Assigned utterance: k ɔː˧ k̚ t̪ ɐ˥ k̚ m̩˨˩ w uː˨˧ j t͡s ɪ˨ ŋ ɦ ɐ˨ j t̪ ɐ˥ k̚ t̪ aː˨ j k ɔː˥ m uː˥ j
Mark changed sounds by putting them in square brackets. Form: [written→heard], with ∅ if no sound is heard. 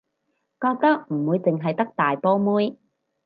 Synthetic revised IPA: k ɔː˧ k̚ t̪ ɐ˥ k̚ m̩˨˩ w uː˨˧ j t͡s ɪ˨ ŋ ɦ ɐ˨ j t̪ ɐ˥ k̚ t̪ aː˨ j [k→p] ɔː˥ m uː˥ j